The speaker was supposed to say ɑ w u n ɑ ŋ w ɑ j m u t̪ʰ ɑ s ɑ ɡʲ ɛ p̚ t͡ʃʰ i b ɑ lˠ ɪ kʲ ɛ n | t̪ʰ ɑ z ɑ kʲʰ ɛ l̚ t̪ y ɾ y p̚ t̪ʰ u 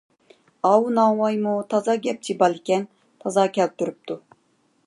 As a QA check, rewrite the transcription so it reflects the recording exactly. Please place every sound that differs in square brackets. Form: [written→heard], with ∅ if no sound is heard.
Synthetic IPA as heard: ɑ w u n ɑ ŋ w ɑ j m u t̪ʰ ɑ [s→z] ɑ ɡʲ ɛ p̚ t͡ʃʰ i b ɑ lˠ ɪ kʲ ɛ n | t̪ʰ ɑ z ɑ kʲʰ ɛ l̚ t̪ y ɾ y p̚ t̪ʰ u